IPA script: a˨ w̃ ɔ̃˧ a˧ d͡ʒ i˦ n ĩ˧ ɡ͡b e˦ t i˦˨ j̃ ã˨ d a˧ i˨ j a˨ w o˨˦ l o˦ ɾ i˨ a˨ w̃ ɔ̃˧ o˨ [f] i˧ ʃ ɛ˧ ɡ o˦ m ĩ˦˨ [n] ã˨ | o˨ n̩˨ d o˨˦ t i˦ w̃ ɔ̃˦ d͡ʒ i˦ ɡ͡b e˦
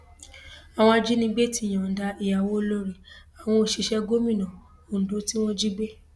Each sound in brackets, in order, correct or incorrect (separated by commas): incorrect, correct